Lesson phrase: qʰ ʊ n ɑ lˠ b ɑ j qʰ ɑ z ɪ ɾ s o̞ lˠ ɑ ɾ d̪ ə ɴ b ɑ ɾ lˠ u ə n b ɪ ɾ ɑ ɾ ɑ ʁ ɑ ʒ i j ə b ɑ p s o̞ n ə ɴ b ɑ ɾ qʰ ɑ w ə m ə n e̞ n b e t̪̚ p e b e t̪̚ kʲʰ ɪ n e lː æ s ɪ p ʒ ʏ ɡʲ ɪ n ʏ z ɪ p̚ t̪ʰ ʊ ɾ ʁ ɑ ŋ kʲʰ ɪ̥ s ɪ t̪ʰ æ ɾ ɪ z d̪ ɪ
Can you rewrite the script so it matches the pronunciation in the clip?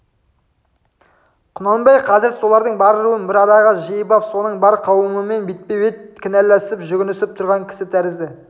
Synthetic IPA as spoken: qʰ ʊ n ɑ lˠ b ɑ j qʰ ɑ z ɪ ɾ s o̞ lˠ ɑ ɾ d̪ ə ɴ b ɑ ɾ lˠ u ə n b ɪ ɾ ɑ ɾ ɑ ʁ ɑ ʒ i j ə b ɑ p s o̞ n ə ɴ b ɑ ɾ qʰ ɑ w ə m ə m e̞ n b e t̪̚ p e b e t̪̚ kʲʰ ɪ n æ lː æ s ɪ p ʒ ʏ ɡʲ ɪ n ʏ s ɪ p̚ t̪ʰ ʊ ɾ ʁ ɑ ŋ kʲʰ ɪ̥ s ɪ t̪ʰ æ ɾ ɪ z d̪ ɪ